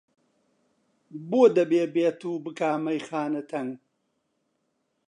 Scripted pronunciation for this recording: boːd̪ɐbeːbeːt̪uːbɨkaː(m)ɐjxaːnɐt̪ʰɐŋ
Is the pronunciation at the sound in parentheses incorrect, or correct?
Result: correct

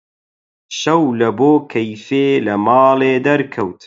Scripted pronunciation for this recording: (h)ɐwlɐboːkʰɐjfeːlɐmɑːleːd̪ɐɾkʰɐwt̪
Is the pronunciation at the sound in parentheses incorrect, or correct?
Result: incorrect: ʃ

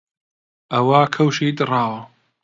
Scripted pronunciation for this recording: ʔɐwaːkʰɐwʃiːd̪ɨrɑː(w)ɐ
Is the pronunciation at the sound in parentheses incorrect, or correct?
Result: correct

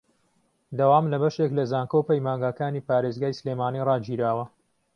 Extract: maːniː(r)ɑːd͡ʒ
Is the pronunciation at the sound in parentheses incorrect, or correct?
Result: correct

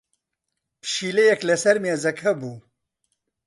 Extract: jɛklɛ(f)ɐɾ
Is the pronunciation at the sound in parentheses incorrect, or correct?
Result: incorrect: s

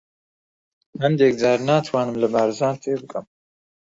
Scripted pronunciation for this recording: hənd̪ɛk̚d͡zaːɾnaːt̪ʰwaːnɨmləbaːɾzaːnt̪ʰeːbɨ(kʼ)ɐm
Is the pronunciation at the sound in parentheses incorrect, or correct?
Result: correct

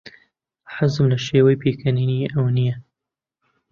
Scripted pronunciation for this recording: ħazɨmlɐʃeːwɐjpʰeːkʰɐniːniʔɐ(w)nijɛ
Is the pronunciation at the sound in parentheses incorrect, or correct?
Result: correct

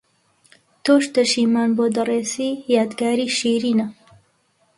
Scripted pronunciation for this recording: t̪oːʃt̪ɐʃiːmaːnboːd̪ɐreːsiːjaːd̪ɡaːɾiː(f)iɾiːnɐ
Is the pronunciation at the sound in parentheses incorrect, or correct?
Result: incorrect: ʃ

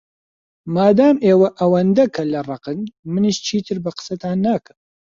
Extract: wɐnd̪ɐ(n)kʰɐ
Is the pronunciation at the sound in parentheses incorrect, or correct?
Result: incorrect: none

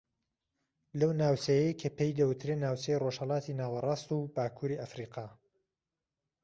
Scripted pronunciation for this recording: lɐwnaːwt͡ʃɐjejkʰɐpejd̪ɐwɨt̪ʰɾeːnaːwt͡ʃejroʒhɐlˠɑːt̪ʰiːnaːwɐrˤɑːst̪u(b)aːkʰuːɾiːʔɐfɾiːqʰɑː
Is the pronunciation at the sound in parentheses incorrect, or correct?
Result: correct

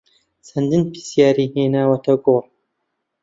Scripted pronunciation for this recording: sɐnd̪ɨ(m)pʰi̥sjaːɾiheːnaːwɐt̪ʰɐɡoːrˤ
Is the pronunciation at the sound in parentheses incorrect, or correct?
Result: incorrect: n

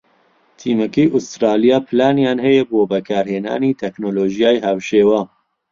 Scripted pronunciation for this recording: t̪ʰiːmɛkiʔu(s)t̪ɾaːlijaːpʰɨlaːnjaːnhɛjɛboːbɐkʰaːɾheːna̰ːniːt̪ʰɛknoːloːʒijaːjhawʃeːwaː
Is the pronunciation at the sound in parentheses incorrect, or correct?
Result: correct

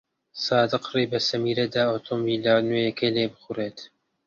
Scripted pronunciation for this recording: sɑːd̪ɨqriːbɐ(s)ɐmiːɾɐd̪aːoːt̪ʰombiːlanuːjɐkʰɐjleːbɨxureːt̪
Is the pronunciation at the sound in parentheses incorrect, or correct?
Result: correct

